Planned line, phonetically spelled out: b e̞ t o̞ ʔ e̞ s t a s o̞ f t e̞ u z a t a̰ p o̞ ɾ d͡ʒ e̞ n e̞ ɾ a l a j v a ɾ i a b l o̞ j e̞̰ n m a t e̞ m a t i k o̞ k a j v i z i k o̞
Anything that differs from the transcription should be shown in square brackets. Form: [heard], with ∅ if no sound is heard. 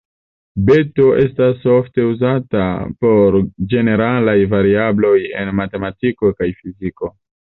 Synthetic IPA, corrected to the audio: b e̞ t o̞ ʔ e̞ s t a s o̞ f t e̞ u z a t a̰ p o̞ ɾ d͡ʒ e̞ n e̞ ɾ a l a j v a ɾ i a b l o̞ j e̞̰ n m a t e̞ m a t i k o̞ k a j [f] i z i k o̞